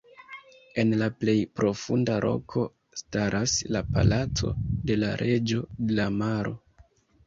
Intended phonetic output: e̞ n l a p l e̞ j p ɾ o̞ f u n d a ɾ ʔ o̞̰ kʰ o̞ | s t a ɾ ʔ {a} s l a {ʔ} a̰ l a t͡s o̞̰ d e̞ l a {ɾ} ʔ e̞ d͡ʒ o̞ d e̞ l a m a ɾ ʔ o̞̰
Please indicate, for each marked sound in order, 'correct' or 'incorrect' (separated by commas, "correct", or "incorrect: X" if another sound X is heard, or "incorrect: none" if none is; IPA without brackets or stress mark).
correct, incorrect: p, correct